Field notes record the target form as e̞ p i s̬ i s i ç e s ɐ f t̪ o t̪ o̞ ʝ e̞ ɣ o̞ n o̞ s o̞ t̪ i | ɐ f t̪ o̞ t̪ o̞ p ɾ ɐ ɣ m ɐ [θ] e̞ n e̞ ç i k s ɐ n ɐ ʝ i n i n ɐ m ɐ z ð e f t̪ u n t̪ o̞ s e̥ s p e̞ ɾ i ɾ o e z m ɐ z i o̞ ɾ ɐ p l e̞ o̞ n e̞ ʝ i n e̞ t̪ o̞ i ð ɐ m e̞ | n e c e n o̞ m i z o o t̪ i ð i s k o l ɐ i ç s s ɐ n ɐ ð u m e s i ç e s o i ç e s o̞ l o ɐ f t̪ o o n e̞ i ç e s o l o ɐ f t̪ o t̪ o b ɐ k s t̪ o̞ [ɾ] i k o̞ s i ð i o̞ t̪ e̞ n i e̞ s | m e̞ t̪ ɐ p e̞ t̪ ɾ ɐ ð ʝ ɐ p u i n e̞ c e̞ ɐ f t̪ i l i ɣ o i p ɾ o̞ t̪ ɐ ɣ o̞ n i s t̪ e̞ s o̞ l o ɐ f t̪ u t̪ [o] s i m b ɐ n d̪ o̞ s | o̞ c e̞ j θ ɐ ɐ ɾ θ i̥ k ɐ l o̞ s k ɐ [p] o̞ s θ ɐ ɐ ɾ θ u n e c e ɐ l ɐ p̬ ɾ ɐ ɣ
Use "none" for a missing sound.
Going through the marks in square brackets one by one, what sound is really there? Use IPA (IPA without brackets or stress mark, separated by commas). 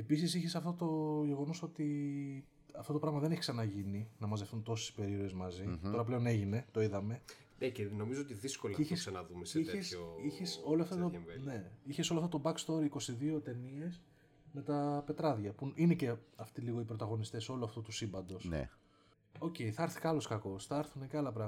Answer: ð, ɾ, u, k